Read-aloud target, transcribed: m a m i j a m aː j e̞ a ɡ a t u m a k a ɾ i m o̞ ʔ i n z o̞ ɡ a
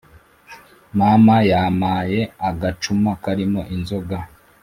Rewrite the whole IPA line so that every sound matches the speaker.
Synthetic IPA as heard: m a m a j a m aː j e̞ a ɡ a t͡ʃ u m a k a ɾ i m o̞ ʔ i n z o̞ ɡ a